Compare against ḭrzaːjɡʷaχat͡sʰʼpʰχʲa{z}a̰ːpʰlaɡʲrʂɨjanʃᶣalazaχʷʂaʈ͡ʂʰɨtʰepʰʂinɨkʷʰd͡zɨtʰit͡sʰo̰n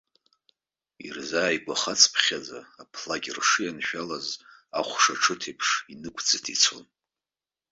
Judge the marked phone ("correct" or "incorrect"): incorrect